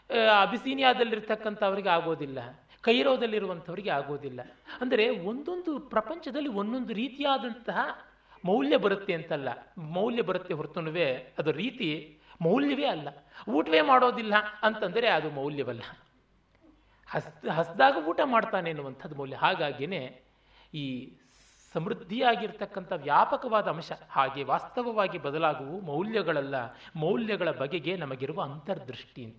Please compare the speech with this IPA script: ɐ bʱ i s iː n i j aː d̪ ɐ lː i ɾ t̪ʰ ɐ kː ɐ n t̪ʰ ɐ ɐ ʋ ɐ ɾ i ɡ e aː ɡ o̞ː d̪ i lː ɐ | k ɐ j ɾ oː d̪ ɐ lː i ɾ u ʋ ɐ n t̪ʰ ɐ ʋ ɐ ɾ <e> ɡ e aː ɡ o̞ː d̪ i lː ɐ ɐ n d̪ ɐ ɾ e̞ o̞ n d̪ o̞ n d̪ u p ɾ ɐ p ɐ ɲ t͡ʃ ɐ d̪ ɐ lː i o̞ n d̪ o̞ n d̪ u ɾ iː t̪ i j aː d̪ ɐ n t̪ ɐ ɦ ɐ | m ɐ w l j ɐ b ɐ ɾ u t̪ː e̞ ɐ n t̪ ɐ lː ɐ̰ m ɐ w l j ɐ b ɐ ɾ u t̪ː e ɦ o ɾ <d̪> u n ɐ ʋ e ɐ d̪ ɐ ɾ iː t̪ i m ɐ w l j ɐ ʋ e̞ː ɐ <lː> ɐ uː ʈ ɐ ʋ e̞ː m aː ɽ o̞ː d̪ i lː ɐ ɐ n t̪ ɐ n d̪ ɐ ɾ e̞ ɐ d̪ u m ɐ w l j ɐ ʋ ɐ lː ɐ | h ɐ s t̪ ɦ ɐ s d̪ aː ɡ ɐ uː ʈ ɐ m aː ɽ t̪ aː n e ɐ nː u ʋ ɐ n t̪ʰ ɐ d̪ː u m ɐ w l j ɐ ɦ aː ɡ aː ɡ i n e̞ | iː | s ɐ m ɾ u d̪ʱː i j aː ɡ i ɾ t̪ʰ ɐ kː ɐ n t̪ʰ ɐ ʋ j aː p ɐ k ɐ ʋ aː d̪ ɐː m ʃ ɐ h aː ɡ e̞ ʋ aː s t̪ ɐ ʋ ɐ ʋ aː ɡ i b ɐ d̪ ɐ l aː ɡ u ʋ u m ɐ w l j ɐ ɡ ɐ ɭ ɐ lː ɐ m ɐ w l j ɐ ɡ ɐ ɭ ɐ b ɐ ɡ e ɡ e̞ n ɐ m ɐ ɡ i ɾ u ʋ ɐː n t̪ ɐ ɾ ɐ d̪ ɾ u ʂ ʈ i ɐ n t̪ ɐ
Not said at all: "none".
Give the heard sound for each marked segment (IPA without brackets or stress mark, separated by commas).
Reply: i, t̪, lː